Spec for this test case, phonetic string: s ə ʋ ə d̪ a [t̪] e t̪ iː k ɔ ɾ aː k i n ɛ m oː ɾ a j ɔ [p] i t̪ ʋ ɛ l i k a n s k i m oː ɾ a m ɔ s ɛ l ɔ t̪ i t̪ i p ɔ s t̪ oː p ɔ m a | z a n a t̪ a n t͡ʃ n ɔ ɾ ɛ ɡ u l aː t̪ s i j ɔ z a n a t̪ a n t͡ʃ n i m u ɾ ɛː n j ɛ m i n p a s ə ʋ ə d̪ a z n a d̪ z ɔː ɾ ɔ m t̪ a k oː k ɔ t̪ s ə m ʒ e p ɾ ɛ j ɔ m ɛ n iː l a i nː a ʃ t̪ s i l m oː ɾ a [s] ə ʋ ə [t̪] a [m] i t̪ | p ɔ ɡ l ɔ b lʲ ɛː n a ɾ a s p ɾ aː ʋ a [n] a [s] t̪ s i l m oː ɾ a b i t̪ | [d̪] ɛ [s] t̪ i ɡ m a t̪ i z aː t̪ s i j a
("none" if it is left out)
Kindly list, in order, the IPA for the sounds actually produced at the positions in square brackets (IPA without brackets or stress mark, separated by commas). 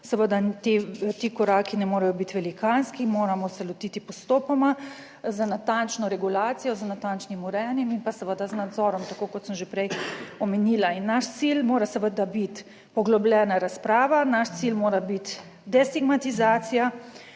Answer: t̪, b, s, d̪, b, n, ʃ, d̪, s